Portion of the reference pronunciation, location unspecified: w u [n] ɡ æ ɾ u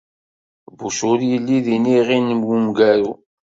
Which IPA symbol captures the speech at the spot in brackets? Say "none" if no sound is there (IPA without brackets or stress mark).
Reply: m